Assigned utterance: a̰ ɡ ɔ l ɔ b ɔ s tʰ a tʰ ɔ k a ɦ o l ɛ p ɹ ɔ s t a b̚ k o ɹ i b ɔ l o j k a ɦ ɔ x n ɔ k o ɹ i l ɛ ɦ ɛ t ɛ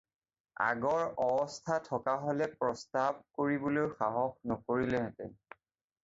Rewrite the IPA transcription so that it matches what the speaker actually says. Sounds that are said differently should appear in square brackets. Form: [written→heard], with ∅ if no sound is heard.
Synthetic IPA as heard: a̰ ɡ ɔ [l→ɹ] ɔ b ɔ s tʰ a tʰ ɔ k a ɦ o l ɛ p ɹ ɔ s t a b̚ k o ɹ i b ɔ l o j [k→x] a ɦ ɔ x n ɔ k o ɹ i l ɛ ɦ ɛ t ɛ

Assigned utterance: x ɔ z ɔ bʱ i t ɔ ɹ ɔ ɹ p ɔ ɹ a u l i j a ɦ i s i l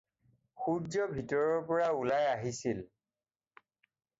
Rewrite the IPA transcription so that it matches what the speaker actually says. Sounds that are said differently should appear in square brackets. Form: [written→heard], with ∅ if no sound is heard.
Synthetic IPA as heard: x [ɔ→u] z ɔ bʱ i t ɔ ɹ ɔ ɹ p ɔ ɹ a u l [i→a] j a ɦ i s i l

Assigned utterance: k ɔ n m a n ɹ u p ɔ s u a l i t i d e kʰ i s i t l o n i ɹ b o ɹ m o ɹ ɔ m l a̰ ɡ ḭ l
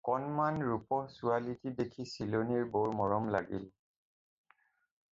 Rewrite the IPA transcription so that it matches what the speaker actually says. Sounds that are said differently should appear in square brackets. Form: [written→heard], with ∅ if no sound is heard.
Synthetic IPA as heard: k ɔ n m a n ɹ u p ɔ s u a l i t i d e kʰ i s i [t→∅] l o n i ɹ b o ɹ m [o→ɔ] ɹ ɔ m l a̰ ɡ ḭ l

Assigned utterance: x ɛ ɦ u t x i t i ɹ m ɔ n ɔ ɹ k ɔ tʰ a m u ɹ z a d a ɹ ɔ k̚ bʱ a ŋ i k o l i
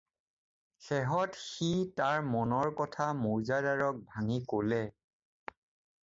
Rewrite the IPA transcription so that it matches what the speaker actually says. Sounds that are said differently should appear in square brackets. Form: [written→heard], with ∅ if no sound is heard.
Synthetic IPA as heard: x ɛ ɦ [u→ɔ] t x i t [i→a] ɹ m ɔ n ɔ ɹ k ɔ tʰ a m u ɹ z a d a ɹ ɔ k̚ bʱ a ŋ i k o l [i→ɛ]

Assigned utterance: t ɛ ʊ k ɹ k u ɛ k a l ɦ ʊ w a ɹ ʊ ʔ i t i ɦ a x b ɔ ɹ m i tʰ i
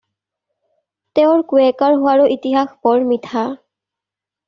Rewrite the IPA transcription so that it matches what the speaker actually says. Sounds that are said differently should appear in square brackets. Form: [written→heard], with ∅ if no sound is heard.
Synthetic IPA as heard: t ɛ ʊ [k→∅] ɹ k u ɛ k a [l→ɹ] ɦ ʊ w a ɹ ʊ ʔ i t i ɦ a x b ɔ ɹ m i tʰ [i→a]

